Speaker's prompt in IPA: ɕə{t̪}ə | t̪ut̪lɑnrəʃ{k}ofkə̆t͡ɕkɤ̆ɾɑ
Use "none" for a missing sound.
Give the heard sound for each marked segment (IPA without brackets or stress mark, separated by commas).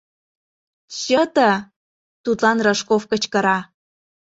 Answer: t̪, k